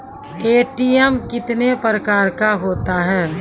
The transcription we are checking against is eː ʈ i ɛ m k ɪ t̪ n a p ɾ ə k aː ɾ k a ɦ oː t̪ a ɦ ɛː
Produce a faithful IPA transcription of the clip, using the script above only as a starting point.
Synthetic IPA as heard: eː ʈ i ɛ m k ɪ t̪ n e p ɾ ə k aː ɾ k a ɦ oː t̪ a ɦ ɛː